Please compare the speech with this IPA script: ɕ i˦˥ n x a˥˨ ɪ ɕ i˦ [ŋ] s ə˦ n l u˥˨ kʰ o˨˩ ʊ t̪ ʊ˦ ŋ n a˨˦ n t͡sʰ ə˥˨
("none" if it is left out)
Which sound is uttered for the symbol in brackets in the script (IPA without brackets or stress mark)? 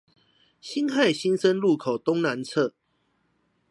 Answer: n